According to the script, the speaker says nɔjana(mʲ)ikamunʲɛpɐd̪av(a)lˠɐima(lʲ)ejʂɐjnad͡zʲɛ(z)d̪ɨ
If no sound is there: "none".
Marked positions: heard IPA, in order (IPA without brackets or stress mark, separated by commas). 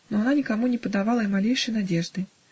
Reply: nʲ, a, lʲ, ʐ